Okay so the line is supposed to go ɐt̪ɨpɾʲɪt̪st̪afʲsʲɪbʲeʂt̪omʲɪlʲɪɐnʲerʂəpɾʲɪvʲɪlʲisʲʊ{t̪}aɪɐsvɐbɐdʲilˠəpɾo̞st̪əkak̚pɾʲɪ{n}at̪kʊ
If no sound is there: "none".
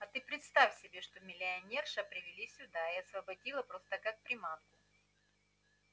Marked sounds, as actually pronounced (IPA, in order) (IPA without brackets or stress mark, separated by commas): d̪, m